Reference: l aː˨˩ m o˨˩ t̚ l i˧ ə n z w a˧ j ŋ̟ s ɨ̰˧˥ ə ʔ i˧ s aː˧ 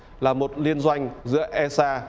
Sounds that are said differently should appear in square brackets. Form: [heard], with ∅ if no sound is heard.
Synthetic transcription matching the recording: l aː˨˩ m o˨˩ t̚ l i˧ ə n z w a˧ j ŋ̟ [z] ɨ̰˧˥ ə ʔ [ɛ˧] s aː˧

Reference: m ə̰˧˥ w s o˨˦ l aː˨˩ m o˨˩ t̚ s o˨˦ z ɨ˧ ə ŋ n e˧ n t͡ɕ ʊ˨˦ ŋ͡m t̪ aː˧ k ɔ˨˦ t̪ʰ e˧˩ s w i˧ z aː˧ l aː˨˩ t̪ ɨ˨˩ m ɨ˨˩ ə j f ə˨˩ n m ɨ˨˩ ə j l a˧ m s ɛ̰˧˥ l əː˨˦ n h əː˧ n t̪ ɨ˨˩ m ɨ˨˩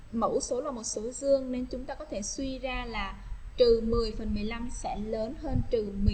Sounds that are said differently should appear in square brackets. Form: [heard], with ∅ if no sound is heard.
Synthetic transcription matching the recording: m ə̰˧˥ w s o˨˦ l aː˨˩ m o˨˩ t̚ s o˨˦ z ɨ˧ ə ŋ n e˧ n t͡ɕ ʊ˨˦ ŋ͡m t̪ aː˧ k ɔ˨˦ t̪ʰ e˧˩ s w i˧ z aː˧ l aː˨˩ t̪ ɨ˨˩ m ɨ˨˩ ə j f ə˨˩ n m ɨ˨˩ ə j l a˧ m s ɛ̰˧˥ l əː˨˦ n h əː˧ n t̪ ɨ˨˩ m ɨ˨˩

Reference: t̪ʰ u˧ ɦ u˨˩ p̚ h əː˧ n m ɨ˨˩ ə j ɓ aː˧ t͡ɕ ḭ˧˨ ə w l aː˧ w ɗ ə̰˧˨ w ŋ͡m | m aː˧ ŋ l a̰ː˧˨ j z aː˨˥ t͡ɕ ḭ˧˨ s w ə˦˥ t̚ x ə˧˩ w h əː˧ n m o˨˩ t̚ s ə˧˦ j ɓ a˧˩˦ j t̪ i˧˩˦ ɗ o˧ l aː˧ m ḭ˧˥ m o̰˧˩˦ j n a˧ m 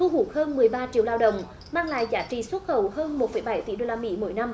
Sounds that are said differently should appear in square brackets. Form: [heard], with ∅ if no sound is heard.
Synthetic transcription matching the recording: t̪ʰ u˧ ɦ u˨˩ [k̚] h əː˧ n m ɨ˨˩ ə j ɓ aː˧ t͡ɕ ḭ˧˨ ə w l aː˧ w ɗ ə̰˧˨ w ŋ͡m | m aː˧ ŋ l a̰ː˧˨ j z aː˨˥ t͡ɕ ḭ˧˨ s w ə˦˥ t̚ x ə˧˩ w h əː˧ n m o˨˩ t̚ [f] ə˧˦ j ɓ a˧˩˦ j t̪ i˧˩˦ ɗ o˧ l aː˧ m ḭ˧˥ m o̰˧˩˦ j n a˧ m

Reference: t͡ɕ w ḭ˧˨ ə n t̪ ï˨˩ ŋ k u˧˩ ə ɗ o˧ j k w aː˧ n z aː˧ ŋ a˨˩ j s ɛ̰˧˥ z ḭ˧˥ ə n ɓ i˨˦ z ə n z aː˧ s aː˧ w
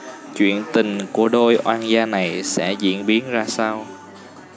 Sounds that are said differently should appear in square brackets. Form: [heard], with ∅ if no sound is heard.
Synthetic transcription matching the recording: t͡ɕ w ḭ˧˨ ə n t̪ ï˨˩ ŋ k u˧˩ ə ɗ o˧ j [ʔ] w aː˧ n z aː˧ [n] a˨˩ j s ɛ̰˧˥ z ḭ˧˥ ə n ɓ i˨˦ [∅] ə n z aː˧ s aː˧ w

